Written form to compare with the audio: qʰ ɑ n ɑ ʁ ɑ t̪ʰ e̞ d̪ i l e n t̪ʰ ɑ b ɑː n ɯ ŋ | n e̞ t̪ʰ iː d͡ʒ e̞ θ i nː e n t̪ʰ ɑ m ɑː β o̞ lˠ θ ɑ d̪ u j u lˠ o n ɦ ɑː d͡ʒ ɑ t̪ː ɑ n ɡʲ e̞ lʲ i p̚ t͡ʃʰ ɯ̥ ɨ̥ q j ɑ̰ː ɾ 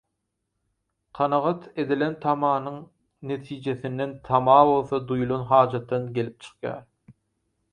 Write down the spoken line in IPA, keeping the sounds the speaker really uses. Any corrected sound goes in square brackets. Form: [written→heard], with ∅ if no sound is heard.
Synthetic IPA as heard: qʰ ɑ n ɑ ʁ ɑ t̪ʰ e̞ d̪ i l e n t̪ʰ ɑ [b→m] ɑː n ɯ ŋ | n e̞ t̪ʰ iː d͡ʒ e̞ θ i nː e n t̪ʰ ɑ m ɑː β o̞ lˠ θ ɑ d̪ u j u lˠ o n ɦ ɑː d͡ʒ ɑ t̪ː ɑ n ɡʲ e̞ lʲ i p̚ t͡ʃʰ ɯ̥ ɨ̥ q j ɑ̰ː ɾ